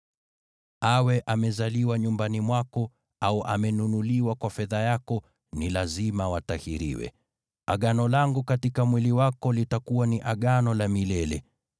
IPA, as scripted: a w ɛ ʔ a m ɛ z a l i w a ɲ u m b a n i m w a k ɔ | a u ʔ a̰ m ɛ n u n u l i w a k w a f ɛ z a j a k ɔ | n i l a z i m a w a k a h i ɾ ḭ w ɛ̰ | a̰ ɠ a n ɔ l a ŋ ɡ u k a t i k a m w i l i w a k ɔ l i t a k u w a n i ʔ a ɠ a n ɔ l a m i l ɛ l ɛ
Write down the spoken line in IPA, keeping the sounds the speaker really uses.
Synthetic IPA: a w ɛ ʔ a m ɛ z a l i w a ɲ u m b a n i m w a k ɔ | a u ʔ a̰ m ɛ n u n u l i w a k w a f ɛ ð a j a k ɔ | n i l a z i m a w a t a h i ɾ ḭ w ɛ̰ | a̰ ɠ a n ɔ l a ŋ ɡ u k a t i k a m w i l i w a k ɔ l i t a k u w a n i ʔ a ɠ a n ɔ l a m i l ɛ l ɛ